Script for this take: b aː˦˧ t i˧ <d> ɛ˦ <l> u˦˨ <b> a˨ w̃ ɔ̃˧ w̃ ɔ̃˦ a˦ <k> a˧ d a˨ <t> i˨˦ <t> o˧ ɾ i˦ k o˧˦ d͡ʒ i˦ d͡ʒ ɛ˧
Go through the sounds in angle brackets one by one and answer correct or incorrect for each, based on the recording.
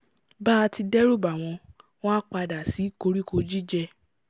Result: correct, incorrect: ɾ, correct, incorrect: k͡p, incorrect: s, incorrect: k

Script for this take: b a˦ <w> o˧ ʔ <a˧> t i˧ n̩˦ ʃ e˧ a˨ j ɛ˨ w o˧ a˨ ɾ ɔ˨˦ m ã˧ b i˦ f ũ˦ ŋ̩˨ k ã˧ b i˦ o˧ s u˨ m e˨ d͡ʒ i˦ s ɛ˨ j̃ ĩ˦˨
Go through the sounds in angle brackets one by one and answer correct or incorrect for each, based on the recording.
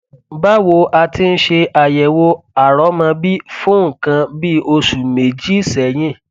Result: correct, correct

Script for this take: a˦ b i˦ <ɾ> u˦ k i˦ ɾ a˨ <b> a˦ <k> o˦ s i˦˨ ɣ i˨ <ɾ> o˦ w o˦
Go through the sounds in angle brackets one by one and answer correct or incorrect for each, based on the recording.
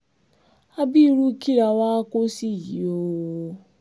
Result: correct, incorrect: w, correct, incorrect: none

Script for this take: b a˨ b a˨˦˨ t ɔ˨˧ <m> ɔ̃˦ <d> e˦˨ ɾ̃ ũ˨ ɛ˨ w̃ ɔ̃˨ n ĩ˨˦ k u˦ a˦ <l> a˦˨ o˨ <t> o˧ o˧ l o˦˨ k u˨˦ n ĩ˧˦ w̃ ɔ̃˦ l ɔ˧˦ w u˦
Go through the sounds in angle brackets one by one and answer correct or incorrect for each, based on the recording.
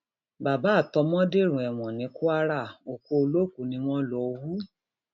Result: correct, correct, incorrect: ɾ, incorrect: k

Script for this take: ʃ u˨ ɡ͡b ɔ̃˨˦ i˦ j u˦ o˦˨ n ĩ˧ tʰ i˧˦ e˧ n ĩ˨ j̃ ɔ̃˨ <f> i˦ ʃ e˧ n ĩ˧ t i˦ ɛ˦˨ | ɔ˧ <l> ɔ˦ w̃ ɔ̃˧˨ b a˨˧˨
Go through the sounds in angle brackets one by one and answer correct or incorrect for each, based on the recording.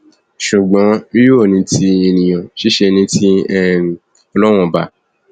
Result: incorrect: ʃ, correct

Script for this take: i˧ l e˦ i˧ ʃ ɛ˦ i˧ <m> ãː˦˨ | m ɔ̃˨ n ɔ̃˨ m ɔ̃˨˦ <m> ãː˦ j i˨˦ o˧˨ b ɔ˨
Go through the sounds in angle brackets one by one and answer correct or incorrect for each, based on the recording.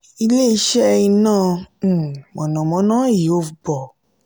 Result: incorrect: n, incorrect: n

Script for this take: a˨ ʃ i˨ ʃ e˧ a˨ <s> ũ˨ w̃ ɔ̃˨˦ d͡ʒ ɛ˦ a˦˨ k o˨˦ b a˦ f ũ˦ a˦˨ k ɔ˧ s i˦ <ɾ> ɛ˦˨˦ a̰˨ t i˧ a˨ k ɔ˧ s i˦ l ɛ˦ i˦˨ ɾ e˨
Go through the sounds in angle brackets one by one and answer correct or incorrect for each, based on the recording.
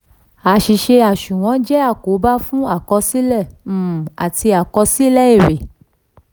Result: incorrect: ʃ, incorrect: l

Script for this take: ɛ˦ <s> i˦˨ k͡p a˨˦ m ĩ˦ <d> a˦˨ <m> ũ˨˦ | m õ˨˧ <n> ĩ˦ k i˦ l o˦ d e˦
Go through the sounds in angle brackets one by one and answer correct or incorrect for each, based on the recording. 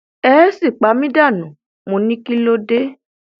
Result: correct, correct, incorrect: n, correct

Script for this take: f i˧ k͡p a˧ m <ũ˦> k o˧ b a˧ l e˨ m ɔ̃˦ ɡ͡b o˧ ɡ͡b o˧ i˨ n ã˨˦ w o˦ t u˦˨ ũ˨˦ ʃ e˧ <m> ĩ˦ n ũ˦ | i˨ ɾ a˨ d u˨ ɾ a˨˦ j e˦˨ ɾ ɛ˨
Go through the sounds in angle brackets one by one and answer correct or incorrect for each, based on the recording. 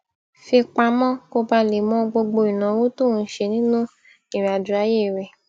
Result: incorrect: ɔ̃˦, incorrect: n

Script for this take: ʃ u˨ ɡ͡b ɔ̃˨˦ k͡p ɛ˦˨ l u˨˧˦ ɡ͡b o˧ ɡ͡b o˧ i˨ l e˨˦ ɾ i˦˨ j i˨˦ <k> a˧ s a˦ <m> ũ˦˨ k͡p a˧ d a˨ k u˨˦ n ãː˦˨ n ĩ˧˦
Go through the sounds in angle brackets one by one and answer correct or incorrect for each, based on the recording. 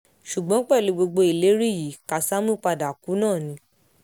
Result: correct, correct

